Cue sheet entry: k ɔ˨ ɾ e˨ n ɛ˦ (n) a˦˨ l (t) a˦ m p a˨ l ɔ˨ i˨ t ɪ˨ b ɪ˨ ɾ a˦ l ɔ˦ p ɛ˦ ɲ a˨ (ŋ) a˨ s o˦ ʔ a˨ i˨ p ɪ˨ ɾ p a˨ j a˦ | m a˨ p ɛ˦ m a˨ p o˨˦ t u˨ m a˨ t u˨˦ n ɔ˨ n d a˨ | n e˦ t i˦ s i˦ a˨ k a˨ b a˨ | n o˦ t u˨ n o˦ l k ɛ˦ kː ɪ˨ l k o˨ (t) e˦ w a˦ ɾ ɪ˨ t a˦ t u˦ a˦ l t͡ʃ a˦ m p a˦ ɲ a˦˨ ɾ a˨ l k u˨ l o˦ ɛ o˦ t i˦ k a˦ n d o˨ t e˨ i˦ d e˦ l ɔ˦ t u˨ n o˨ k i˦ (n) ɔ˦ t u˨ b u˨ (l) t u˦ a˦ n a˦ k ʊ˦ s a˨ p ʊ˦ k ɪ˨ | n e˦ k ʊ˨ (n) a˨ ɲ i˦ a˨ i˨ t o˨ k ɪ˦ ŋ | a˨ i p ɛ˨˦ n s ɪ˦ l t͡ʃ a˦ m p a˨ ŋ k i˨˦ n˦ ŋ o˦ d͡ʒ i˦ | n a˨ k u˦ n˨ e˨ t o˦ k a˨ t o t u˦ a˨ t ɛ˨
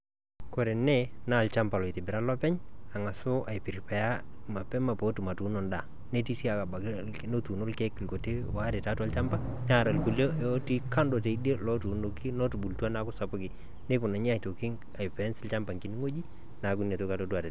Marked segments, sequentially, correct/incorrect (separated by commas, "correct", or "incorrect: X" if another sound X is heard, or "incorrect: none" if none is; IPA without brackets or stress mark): correct, incorrect: t͡ʃ, correct, correct, correct, correct, correct